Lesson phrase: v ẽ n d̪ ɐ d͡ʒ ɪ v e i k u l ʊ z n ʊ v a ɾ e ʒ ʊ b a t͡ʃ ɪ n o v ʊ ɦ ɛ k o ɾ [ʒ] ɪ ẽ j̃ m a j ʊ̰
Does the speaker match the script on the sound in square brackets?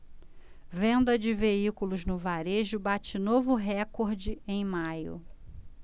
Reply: no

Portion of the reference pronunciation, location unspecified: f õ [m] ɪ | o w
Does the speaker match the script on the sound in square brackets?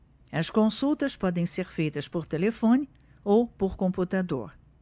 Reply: no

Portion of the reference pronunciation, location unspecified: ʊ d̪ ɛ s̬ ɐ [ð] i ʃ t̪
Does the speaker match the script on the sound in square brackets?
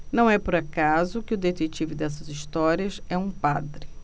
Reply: no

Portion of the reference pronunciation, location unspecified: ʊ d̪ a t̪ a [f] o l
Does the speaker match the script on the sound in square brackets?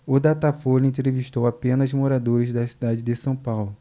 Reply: yes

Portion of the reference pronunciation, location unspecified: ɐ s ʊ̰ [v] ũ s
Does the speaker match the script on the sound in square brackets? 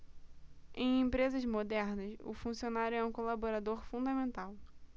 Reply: no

